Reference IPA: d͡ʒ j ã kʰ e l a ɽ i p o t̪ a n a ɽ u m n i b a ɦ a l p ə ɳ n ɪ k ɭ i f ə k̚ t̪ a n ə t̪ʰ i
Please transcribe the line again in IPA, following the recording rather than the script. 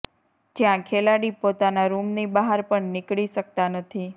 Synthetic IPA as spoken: d͡ʒ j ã kʰ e l a ɽ i p o t̪ a n a ɾ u m n i b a ɦ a ɾ p ə ɳ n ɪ k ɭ i ʃ ə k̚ t̪ a n ə t̪ʰ i